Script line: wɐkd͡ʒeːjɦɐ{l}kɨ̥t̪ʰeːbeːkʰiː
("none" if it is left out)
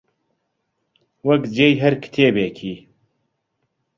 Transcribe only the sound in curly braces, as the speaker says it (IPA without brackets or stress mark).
ɾ